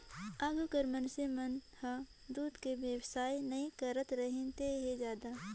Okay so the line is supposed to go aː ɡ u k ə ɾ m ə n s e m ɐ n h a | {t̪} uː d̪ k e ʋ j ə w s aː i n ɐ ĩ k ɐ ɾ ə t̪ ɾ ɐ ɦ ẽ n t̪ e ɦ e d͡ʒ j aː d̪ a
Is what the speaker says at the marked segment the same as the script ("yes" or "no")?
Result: no